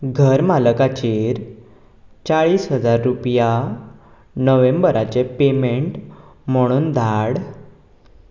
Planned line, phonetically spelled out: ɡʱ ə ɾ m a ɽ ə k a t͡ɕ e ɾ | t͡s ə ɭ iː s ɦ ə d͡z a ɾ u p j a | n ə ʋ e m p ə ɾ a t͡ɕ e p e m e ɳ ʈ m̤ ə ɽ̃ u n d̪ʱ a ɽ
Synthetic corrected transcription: ɡʱ ə ɾ m a l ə k a t͡ɕ e ɾ | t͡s a ɭ iː s ɦ ə d͡z a ɾː u p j a | n ə ʋ e m b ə ɾ a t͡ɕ e p e m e ɳ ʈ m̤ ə ɽ̃ uː n d̪ʱ a ɽ